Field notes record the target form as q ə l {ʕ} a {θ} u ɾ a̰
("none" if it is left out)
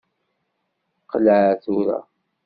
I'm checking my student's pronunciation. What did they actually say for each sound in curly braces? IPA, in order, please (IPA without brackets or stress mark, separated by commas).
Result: ʕ, θ